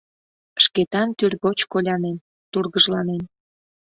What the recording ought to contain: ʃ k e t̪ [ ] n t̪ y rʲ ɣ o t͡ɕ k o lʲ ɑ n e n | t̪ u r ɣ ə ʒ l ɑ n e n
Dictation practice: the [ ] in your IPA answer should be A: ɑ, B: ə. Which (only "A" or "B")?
A